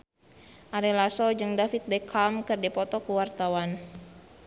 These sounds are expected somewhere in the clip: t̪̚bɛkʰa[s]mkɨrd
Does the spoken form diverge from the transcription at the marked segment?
yes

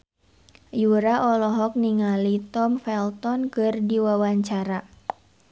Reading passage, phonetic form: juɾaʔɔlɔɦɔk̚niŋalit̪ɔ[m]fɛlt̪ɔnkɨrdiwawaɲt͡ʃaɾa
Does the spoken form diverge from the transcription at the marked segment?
no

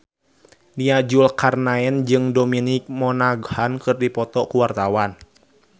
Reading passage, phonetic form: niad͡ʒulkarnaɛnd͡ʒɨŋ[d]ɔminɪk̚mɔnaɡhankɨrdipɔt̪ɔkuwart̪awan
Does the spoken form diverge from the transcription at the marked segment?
no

